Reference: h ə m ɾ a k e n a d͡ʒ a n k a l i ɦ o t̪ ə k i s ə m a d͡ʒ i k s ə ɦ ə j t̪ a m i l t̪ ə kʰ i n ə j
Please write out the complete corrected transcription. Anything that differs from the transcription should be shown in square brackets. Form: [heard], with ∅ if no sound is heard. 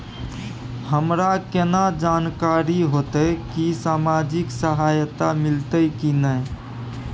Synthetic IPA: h ə m ɾ a k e n a d͡ʒ a n k a [ɾ] i ɦ o t̪ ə k i s [a] m a d͡ʒ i k s ə ɦ [a] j t̪ a m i l t̪ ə [k] i n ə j